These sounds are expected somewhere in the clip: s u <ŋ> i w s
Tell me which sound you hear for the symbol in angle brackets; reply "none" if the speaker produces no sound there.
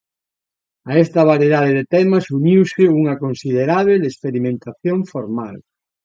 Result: ɲ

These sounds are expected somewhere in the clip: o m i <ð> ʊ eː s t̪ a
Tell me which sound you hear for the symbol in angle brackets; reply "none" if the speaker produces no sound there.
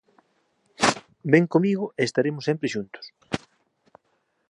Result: ɣ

